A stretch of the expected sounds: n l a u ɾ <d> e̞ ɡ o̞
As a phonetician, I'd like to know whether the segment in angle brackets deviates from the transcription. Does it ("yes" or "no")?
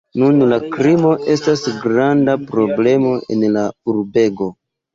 yes